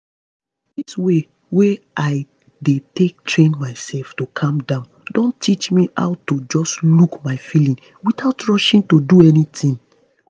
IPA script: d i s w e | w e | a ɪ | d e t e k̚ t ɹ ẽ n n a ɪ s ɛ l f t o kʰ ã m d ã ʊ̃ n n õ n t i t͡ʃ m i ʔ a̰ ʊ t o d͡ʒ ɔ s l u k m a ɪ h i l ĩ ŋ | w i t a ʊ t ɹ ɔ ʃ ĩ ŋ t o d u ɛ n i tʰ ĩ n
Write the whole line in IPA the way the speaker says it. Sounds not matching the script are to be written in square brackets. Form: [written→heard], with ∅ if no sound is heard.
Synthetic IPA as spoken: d i s w e | w e | a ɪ | d e t e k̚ t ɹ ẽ n [n→m] a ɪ s ɛ l f t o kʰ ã m d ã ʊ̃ n [n→d] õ n t i t͡ʃ m i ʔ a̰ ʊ t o d͡ʒ ɔ s l u k m a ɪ [h→f] i l ĩ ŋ | w i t a ʊ t ɹ ɔ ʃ ĩ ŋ t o d u ɛ n i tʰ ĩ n